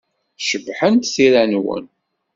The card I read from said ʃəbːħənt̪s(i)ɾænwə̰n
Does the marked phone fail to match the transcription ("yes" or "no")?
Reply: no